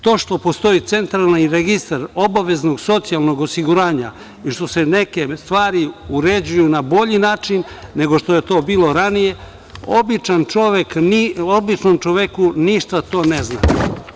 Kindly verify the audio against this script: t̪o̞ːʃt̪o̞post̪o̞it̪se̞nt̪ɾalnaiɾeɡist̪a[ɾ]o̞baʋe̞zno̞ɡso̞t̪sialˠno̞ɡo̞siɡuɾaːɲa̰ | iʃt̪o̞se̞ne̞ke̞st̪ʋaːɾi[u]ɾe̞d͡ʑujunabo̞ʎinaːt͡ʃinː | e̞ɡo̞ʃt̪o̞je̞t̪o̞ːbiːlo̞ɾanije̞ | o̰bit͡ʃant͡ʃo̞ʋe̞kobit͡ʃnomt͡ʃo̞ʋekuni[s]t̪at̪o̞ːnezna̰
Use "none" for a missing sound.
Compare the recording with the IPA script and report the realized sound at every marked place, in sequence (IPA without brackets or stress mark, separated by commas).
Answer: ɾ, u, ʃ